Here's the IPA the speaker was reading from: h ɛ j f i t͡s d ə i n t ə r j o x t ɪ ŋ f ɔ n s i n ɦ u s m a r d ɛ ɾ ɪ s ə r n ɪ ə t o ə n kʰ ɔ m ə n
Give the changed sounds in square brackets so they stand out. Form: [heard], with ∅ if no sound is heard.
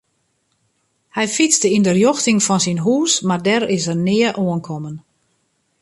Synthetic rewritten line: h ɛ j f i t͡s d ə i n [d] ə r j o x t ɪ ŋ f ɔ n s i n ɦ [uː] s m a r d ɛ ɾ ɪ s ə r n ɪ ə [ʔ] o ə n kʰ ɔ m ə n